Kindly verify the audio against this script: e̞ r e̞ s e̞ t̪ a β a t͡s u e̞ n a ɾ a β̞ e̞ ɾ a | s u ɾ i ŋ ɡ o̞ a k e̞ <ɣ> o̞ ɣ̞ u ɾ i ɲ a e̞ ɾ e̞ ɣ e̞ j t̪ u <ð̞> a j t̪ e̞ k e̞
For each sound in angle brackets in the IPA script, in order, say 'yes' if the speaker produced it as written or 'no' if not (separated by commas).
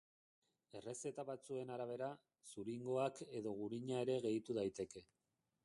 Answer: no, yes